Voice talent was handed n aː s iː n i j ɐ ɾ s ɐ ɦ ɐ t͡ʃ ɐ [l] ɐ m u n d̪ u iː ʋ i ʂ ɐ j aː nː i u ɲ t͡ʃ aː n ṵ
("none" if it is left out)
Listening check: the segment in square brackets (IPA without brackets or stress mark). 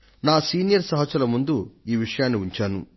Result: l